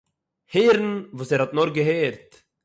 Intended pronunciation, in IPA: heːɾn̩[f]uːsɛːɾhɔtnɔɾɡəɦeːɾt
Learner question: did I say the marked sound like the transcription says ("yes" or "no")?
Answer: no